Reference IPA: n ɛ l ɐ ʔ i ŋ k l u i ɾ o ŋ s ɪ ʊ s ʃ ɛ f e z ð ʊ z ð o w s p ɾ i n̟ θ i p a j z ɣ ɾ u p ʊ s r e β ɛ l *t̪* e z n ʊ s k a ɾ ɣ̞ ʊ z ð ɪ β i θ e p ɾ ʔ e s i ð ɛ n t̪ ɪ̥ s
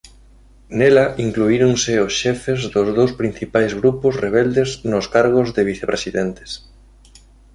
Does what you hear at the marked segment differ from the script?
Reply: yes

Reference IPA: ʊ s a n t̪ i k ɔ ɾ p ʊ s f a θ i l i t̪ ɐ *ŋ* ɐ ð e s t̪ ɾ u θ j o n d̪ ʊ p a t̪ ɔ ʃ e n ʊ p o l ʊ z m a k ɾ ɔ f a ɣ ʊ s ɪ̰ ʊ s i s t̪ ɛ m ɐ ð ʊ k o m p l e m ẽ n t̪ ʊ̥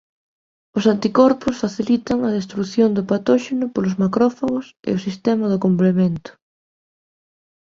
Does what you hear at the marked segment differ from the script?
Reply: no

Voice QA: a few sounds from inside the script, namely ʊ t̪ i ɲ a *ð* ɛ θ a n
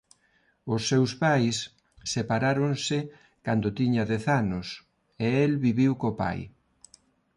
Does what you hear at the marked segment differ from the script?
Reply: no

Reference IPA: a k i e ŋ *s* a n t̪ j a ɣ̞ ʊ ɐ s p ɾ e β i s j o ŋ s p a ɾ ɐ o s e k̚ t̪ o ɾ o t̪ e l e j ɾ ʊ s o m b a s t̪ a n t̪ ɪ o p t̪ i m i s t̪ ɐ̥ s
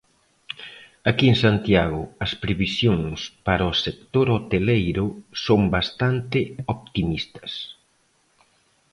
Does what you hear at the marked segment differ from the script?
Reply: no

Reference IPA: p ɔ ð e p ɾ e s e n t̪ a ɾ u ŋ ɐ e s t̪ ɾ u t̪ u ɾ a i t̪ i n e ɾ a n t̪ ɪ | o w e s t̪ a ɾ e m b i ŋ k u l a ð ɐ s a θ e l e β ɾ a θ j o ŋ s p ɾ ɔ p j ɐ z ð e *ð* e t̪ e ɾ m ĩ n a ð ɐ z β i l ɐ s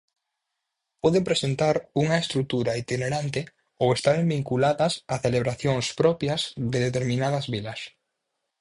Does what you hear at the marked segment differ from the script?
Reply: no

